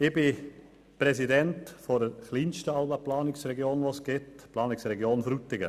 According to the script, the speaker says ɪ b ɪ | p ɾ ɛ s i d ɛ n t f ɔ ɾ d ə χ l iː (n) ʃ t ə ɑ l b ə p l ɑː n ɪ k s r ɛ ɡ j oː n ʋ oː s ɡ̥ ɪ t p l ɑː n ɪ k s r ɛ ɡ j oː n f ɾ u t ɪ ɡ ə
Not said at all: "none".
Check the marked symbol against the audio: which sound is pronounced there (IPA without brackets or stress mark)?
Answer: n